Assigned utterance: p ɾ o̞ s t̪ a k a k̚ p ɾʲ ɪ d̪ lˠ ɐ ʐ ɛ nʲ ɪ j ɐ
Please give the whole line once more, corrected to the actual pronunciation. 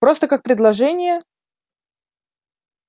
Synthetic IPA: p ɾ o̞ s t̪ ə k a k̚ p ɾʲ ɪ d̪ lˠ ɐ ʐ ɛ nʲ ɪ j ə